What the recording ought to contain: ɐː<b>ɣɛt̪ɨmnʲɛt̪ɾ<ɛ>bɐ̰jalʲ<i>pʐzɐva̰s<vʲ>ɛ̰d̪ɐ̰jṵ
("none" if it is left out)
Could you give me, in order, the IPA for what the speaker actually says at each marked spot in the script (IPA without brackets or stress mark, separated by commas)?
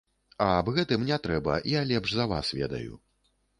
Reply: b, ɛ, ɛ, vʲ